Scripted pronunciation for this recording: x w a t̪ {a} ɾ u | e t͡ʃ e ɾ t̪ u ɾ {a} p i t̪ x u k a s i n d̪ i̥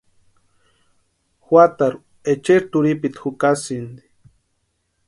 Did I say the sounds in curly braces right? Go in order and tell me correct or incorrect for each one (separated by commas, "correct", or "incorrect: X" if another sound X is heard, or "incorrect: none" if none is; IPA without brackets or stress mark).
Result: correct, incorrect: i